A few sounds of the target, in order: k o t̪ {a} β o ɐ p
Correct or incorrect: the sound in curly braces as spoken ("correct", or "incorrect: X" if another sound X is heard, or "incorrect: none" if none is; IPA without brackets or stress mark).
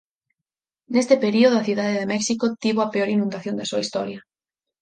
incorrect: i